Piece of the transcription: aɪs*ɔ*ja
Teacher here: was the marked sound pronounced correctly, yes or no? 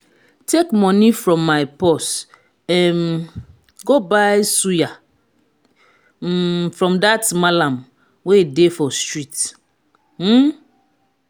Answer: no